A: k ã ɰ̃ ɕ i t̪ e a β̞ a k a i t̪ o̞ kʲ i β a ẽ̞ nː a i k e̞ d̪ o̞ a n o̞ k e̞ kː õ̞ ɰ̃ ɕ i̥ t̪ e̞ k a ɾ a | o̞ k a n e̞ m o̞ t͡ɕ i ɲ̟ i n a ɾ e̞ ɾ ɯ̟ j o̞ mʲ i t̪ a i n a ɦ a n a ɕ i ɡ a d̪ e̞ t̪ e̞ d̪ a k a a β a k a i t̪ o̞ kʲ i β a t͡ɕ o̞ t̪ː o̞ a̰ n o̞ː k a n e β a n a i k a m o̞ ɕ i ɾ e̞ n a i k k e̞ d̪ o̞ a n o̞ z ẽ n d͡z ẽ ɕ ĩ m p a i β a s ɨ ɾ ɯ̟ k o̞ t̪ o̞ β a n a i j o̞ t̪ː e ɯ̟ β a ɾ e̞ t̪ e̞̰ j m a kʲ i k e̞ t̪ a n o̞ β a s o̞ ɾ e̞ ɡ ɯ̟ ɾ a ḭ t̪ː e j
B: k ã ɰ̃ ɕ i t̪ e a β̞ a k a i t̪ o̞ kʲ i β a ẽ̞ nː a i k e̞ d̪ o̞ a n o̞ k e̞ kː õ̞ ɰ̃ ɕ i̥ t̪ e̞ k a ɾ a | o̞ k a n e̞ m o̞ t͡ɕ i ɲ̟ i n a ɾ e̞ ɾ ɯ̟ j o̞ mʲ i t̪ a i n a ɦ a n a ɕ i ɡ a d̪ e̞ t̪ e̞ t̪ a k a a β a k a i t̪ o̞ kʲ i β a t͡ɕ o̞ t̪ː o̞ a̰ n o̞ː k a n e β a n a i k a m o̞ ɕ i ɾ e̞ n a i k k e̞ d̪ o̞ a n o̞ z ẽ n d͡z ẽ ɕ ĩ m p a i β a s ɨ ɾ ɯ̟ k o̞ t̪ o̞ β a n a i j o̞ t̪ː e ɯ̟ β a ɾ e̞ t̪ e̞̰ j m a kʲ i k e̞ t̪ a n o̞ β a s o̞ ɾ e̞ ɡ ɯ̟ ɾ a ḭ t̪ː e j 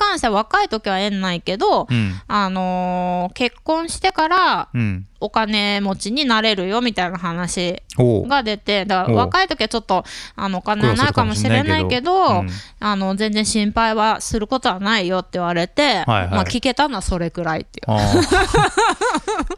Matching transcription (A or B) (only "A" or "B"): A